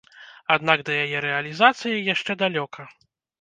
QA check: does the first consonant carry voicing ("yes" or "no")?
yes